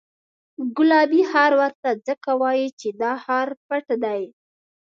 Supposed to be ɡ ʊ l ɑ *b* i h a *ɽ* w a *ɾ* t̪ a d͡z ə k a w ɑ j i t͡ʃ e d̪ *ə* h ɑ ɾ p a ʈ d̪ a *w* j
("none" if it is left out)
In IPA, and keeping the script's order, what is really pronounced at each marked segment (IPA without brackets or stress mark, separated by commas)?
b, ɾ, ɾ, ɑ, none